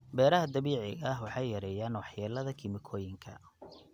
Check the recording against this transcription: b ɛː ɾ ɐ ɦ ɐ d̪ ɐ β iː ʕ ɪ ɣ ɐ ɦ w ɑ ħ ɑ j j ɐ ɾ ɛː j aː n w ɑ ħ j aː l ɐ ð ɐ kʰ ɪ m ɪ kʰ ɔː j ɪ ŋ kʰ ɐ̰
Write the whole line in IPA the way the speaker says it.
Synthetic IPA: b ɛː ɾ ɐ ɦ ɐ d̪ ɐ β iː ʕ ɪ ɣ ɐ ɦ w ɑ ħ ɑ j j ɐ ɾ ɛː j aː n w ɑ ħ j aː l ɐ ð ɐ kʰ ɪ m ɪ kʰ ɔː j ɪ ŋ kʰ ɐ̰